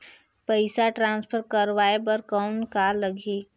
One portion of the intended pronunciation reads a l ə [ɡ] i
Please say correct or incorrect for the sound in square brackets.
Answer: correct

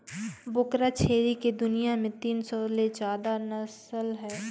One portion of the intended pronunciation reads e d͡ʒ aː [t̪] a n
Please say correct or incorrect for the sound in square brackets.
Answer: incorrect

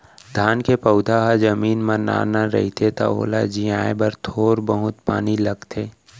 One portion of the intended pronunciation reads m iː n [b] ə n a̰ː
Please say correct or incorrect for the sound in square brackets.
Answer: incorrect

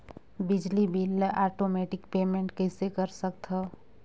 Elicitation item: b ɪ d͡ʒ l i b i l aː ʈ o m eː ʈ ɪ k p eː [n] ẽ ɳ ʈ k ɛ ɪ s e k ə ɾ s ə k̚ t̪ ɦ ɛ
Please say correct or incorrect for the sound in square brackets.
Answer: incorrect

